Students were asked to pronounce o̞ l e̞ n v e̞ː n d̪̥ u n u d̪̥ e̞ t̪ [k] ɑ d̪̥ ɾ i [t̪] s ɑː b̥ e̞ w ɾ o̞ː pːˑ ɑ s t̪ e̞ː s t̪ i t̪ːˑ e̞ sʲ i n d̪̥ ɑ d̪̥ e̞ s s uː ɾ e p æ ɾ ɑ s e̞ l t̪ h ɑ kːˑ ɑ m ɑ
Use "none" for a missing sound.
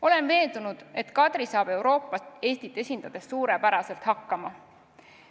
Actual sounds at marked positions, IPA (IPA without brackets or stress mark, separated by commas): k, none